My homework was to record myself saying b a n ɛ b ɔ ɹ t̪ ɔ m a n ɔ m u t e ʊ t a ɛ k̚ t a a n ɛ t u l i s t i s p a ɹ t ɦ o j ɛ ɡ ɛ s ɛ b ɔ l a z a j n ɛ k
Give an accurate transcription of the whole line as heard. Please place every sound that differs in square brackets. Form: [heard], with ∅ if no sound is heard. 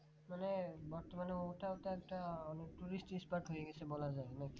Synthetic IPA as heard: [m] a n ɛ b ɔ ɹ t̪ ɔ m a n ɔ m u t [a] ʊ t a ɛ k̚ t a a n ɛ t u [ɹ] i s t i s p a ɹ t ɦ o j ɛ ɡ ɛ s ɛ b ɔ l a z a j n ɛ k